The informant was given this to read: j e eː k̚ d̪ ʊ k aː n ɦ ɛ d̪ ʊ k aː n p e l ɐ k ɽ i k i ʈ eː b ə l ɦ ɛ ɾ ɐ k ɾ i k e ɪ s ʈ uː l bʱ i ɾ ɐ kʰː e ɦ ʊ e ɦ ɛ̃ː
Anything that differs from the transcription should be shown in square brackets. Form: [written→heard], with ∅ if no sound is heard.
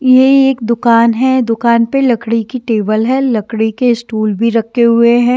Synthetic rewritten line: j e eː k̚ d̪ ʊ k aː n ɦ ɛ d̪ ʊ k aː n p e l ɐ k ɽ i k i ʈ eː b ə l ɦ ɛ [ɾ→l] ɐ k [ɾ→ɽ] i k e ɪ s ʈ uː l bʱ i ɾ ɐ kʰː e ɦ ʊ e ɦ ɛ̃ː